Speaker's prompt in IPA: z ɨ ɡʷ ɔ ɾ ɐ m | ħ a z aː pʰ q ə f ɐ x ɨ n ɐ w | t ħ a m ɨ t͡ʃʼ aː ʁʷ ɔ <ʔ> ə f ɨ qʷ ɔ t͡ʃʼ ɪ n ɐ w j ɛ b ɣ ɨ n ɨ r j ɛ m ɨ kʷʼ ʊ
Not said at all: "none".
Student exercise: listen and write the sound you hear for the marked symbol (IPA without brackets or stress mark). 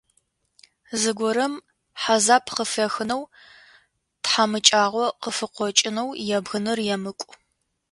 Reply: q